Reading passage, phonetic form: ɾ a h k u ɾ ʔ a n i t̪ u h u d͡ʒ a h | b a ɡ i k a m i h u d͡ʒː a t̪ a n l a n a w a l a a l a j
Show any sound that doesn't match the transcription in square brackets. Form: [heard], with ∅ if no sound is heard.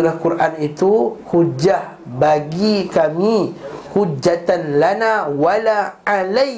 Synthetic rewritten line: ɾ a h k u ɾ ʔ a n i t̪ u h u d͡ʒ a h | b a ɡ i k a m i h u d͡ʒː a t̪ a n l a n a w a l a a l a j